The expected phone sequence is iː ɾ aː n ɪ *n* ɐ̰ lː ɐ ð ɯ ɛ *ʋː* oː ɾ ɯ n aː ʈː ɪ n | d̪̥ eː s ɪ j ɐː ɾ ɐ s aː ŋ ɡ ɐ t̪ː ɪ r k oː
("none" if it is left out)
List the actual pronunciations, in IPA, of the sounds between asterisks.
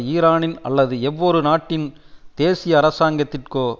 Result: n, ʋː

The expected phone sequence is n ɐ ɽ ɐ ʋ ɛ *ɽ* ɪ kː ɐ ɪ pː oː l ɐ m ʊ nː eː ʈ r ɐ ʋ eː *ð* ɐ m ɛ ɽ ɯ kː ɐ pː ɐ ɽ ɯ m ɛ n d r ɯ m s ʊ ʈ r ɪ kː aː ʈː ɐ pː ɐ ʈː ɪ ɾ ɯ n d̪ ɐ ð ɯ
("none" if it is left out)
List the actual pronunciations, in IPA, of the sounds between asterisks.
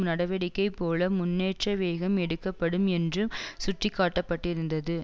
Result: ɽ, ɣ

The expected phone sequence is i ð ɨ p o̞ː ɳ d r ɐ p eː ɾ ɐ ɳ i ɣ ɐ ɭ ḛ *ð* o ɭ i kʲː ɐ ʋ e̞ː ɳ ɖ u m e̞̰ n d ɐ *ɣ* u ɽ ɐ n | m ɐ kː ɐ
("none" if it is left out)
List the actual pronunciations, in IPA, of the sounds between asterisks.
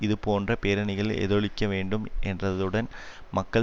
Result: ð, ð

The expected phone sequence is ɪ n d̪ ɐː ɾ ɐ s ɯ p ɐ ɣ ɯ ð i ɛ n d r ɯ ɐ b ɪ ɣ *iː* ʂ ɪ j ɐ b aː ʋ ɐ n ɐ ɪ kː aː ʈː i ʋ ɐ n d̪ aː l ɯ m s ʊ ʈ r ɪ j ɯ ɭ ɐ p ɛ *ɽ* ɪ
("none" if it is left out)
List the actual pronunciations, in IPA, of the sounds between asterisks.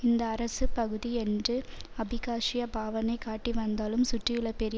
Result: aː, ɾ

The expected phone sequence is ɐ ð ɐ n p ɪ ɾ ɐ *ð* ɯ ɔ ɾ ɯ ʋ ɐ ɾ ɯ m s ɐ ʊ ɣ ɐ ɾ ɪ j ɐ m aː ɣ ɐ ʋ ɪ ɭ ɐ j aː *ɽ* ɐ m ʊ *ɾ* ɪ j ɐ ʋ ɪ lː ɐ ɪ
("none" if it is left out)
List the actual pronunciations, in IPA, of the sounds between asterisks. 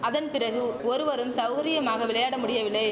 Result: ɣ, ɽ, ɽ

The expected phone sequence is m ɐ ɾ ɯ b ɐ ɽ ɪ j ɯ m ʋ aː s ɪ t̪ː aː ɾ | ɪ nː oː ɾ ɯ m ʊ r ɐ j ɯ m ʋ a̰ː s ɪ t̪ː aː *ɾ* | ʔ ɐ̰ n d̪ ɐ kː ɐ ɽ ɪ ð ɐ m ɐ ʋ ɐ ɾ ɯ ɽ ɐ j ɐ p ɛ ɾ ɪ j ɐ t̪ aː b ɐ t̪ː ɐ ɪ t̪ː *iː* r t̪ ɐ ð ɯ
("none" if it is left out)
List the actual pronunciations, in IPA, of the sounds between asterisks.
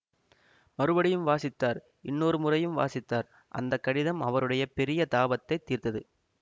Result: ɾ, iː

